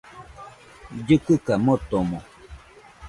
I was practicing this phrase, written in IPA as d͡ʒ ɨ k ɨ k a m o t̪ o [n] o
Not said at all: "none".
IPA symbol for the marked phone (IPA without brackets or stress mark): m